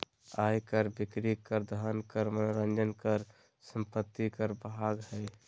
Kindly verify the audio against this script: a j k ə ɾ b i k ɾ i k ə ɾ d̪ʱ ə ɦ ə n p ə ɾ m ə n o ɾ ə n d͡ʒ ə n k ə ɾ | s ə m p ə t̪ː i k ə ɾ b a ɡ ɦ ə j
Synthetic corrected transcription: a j k ə ɾ b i k ɾ i k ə ɾ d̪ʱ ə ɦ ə n k ə ɾ m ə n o ɾ ə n d͡ʒ ə n k ə ɾ | s ə m p ə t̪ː i k ə ɾ b a ɡ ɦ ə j

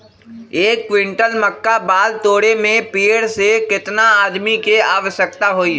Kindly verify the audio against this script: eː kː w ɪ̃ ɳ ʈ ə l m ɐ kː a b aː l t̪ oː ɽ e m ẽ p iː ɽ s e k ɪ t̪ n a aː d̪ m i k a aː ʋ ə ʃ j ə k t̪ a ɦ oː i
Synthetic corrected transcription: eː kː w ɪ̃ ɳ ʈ ə l m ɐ kː a b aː l t̪ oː ɽ e m ẽ p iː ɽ s e k ɪ t̪ n a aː d̪ m i k e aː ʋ ə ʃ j ə k t̪ a ɦ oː i

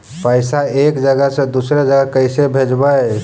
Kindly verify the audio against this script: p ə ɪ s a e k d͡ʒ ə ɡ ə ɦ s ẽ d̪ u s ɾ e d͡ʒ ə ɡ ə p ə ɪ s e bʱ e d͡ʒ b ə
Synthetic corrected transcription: p ə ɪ s a e k d͡ʒ ə ɡ ə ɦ s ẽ d̪ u s ɾ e d͡ʒ ə ɡ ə k ə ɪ s e bʱ e d͡ʒ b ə

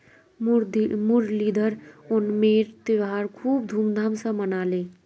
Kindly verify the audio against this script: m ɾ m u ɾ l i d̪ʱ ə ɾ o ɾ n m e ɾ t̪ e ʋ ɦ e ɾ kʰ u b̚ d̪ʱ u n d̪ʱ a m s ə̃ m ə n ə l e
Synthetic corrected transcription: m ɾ m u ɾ l i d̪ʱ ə ɾ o n m e ɾ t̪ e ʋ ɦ a ɾ kʰ u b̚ d̪ʱ u m d̪ʱ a m s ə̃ m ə n a l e

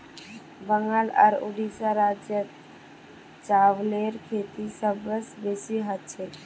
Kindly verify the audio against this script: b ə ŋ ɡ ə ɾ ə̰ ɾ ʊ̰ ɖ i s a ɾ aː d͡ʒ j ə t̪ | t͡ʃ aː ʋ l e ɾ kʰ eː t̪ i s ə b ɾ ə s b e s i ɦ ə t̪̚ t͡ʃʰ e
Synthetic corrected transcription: b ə ŋ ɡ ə l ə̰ ɾ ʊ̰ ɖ i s a ɾ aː d͡ʒ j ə t̪ | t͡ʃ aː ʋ l e ɾ kʰ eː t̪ i s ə b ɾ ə s b e s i ɦ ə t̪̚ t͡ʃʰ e

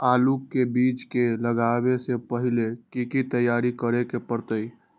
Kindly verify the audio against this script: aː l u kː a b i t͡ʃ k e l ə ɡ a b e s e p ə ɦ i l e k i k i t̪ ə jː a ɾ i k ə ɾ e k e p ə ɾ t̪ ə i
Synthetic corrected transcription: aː l u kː e b i t͡ʃ k e l ə ɡ a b e s e p ə ɦ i l e k i k i t̪ ə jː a ɾ i k ə ɾ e k e p ə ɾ t̪ ə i

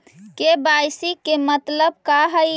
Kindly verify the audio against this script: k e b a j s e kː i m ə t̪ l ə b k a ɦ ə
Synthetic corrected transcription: k e b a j s i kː e m ə t̪ l ə b k a ɦ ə

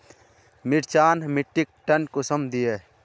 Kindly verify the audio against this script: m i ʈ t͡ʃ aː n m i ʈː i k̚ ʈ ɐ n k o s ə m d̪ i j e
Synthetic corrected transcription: m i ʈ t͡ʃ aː n m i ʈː i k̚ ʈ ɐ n k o s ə m d̪ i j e

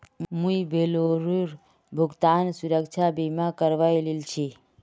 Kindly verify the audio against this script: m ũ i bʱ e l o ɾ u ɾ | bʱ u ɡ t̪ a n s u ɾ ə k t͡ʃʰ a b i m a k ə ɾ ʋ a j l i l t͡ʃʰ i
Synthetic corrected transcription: m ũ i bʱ e l o ɾ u ɾ | bʱ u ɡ t̪ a n s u ɾ ə k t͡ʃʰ a b i m a k ə ɾ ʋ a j l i l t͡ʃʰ i

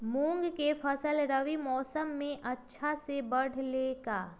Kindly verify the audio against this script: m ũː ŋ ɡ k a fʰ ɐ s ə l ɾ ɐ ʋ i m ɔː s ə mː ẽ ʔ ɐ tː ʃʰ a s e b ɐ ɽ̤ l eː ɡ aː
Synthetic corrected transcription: m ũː ŋ ɡ k e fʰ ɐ s ə l ɾ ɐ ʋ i m ɔː s ə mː ẽ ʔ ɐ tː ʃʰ a s e b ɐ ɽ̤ l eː ɡ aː

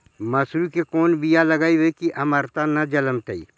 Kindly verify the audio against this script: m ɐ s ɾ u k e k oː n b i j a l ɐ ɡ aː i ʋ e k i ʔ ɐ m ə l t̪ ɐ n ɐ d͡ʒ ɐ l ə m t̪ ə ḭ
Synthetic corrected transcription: m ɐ s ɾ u k e k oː n b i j a l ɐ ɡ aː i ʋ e k i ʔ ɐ m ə ɾ t̪ a n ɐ d͡ʒ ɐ l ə m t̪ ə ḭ

